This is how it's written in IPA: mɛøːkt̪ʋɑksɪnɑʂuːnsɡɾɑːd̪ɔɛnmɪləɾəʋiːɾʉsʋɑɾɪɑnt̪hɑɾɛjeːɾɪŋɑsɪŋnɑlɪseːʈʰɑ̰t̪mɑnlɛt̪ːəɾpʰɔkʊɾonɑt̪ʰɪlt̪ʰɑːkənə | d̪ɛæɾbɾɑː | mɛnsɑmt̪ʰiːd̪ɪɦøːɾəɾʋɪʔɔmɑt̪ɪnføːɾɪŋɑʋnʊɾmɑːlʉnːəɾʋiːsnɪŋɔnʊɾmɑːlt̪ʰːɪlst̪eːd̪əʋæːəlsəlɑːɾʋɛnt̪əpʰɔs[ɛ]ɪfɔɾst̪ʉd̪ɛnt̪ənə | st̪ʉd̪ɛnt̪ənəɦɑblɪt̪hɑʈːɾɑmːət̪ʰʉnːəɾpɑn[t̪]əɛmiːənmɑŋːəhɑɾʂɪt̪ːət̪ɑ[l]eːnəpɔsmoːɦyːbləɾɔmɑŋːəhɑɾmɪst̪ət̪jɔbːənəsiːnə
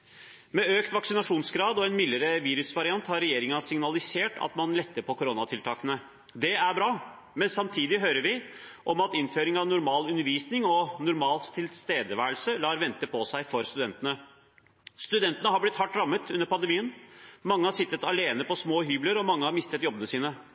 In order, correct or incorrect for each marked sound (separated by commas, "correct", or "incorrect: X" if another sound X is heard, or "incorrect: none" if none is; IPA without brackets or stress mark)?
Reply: incorrect: æ, incorrect: d̪, correct